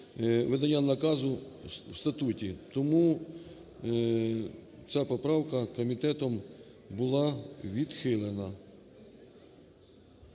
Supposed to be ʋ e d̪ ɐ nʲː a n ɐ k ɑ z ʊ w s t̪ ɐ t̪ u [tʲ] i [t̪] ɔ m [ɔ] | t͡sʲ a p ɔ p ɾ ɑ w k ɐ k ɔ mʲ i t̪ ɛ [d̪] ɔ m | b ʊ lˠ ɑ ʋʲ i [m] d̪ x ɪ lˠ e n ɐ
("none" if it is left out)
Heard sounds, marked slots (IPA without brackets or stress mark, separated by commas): tʲ, t̪, u, t̪, none